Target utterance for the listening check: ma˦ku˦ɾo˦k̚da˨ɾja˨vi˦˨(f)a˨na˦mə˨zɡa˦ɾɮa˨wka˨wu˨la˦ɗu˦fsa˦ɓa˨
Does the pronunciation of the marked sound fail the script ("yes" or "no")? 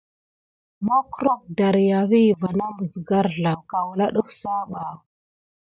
yes